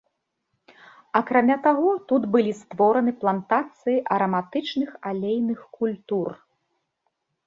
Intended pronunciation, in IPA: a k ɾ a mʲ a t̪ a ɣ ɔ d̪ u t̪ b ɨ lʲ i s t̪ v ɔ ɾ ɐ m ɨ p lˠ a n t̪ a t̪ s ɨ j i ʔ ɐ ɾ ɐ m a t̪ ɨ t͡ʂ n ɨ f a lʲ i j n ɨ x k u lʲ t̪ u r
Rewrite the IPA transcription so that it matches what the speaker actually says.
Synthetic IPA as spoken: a k ɾ a mʲ a t̪ a ɣ ɔ t̪ u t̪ b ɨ lʲ i s t̪ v ɔ ɾ ɐ n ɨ p lˠ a n t̪ a t̪ s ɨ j i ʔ ɐ ɾ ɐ m a t̪ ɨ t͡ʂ n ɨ x a lʲ e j n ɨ x k u lʲ t̪ u r